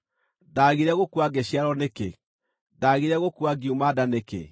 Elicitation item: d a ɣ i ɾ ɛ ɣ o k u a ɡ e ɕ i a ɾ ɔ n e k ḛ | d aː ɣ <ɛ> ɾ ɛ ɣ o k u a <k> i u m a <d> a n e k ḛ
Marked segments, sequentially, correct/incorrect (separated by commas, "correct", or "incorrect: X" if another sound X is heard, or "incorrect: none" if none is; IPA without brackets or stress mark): incorrect: i, incorrect: ɡ, correct